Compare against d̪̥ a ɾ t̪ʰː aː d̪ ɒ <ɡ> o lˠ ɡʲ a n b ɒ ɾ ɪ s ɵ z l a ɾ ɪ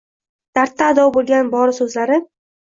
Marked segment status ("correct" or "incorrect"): incorrect